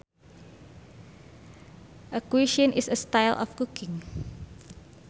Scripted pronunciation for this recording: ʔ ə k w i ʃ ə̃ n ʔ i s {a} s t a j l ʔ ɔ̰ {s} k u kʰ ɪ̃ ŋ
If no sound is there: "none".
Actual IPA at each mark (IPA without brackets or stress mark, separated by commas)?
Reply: ə, f